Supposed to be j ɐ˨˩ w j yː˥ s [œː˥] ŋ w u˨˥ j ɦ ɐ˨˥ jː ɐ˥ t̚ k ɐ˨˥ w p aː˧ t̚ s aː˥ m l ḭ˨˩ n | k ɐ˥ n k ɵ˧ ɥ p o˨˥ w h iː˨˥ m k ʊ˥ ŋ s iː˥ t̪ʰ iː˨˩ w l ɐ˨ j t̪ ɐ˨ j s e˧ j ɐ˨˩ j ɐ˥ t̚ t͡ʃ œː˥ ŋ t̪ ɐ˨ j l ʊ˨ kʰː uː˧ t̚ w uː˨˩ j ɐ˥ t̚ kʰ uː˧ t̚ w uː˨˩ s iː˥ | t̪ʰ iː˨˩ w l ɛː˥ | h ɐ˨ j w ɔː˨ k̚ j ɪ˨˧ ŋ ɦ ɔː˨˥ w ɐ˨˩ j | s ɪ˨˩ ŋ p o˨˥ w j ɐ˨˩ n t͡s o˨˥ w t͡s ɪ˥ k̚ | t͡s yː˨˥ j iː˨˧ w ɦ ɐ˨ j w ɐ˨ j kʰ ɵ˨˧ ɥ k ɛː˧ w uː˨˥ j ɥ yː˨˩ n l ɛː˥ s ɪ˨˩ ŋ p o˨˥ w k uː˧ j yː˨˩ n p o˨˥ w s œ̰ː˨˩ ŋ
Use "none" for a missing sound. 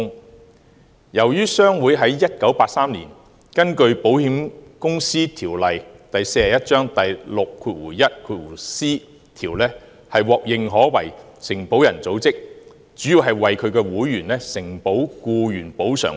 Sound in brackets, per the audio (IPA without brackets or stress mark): œː˥